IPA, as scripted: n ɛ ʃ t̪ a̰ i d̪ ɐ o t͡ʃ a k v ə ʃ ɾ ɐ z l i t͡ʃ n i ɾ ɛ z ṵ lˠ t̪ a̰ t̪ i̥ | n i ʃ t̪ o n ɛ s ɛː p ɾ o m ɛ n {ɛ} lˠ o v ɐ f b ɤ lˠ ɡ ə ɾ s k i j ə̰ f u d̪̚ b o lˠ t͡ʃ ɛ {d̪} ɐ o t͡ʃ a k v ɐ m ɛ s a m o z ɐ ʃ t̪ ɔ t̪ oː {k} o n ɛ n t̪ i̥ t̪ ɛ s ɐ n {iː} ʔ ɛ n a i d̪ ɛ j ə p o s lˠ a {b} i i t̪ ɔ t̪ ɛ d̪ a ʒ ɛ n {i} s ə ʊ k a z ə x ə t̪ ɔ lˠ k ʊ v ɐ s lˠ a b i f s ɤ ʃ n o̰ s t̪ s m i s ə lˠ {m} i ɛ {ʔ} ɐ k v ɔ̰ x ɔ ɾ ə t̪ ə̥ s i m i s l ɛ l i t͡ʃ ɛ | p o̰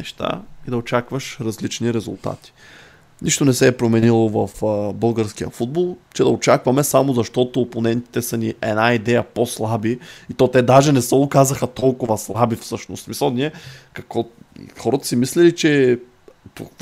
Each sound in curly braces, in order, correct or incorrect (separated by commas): incorrect, correct, incorrect, incorrect, correct, incorrect, incorrect, incorrect